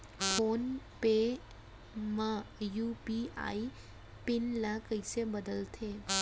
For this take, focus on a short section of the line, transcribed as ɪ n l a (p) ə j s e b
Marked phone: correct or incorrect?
incorrect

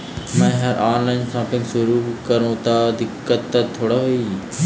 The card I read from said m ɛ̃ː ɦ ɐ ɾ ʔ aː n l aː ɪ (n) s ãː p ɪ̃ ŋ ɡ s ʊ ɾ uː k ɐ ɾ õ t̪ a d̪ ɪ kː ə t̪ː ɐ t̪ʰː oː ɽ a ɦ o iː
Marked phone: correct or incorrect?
correct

